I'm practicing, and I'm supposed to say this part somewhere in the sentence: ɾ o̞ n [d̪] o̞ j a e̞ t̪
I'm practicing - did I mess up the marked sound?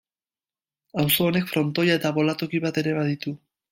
yes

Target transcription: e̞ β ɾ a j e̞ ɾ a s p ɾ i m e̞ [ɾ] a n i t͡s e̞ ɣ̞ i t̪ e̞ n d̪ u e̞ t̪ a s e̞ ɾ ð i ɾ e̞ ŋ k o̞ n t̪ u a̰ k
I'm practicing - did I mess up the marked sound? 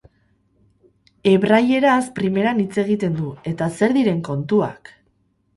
no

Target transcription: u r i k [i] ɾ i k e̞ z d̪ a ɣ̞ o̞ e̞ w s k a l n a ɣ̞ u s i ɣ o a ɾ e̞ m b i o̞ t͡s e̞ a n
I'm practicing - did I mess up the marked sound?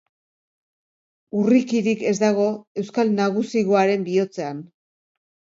no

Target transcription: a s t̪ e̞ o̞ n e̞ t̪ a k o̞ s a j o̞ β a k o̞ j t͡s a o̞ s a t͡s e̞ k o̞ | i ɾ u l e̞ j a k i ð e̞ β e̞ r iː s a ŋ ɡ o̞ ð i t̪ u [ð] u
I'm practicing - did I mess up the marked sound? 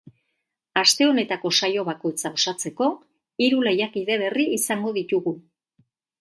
yes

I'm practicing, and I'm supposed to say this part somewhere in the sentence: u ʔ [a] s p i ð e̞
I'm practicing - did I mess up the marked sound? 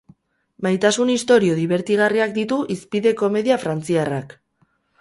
yes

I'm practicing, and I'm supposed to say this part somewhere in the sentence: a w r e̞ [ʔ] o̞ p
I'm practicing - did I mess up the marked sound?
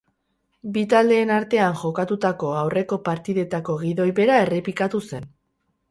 yes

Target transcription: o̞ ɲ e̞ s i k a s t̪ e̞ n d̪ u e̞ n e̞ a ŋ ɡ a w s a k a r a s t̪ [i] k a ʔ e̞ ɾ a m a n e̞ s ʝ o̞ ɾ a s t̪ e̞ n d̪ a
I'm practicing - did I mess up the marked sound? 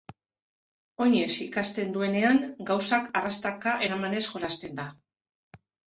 yes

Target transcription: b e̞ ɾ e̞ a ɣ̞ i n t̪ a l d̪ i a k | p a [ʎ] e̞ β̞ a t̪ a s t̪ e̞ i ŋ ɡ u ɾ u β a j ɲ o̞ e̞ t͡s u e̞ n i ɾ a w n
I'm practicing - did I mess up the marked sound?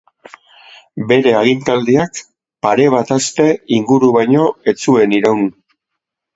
yes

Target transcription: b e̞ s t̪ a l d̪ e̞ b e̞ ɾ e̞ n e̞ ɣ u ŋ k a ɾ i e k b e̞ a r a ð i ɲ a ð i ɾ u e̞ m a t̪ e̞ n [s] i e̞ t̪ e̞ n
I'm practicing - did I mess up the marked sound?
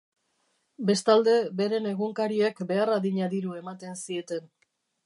no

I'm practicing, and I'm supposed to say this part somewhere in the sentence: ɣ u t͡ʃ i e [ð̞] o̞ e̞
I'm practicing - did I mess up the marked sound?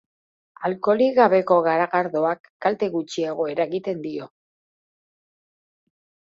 yes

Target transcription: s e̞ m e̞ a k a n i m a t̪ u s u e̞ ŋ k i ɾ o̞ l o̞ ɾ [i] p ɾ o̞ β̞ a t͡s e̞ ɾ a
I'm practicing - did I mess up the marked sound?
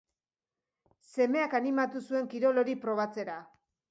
no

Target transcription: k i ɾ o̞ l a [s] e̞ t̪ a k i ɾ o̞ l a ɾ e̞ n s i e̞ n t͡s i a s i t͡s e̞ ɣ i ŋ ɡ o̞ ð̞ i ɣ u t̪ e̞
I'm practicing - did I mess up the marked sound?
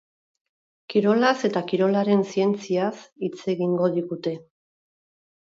no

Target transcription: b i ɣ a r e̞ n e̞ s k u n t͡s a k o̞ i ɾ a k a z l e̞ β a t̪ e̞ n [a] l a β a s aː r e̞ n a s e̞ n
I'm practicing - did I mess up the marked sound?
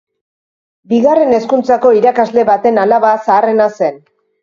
no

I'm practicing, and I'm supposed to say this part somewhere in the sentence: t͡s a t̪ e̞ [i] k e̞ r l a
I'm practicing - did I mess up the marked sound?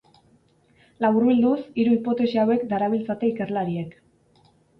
no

